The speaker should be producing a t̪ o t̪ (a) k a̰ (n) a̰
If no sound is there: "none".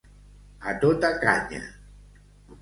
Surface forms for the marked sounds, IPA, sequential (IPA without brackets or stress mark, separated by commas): a, ɲ